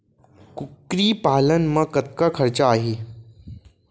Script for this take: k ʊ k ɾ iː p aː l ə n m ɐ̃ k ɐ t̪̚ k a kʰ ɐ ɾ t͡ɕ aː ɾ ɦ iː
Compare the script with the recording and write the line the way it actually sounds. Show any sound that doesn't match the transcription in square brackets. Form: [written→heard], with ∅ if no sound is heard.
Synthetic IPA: k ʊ k ɾ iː p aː l ə n m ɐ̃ k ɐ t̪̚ k a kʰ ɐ ɾ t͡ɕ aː [ɾ→∅] ɦ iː